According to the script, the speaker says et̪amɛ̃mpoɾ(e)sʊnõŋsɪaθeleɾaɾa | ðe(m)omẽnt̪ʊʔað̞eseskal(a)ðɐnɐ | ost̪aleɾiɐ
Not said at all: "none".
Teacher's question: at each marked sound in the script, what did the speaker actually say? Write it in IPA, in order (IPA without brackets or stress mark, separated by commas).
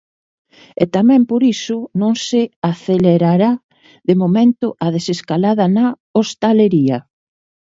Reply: i, m, a